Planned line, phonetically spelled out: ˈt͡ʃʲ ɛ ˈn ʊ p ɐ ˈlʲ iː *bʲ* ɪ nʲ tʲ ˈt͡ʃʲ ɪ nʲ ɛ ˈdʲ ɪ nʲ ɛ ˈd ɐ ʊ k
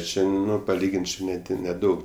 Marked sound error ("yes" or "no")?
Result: yes